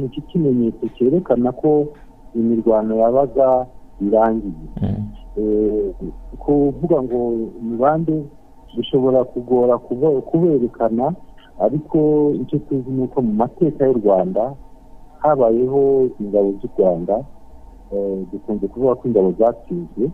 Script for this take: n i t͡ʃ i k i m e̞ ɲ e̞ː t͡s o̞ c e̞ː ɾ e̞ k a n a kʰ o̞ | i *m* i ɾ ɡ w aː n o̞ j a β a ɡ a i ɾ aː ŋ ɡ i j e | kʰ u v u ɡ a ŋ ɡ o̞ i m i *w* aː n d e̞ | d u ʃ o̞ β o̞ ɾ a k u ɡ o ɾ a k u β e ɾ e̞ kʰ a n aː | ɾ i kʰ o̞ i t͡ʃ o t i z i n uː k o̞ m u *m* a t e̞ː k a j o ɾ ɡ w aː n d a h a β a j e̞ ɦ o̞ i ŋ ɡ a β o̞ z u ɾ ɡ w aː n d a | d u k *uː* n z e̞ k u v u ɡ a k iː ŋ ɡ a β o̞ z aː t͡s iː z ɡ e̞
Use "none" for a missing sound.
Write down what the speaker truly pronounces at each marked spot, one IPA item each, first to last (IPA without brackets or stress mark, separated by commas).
m, β, m, uː